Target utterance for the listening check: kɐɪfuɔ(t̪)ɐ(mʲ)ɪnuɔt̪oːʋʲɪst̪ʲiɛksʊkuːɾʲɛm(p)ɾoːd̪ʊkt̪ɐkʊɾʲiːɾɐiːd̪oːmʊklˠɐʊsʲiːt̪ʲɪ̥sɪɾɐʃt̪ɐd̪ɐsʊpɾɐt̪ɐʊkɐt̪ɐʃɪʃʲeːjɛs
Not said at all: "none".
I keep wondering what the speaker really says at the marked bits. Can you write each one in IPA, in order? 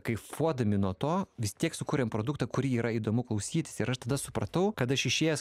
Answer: d̪, mʲ, p

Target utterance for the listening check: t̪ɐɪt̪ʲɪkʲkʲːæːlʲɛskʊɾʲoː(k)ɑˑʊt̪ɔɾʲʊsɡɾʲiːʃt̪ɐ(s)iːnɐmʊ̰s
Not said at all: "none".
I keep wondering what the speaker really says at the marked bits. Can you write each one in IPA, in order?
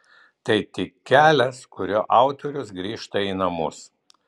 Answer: ʔ, none

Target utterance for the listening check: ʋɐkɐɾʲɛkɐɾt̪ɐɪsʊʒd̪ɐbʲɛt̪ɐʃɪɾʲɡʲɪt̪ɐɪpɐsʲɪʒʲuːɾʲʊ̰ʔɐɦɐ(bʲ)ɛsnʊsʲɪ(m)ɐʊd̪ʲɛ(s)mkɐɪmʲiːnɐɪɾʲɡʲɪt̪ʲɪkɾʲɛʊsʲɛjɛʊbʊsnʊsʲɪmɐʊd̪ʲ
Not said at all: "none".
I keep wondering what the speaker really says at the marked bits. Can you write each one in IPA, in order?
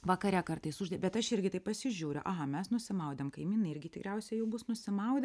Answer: mʲ, m, none

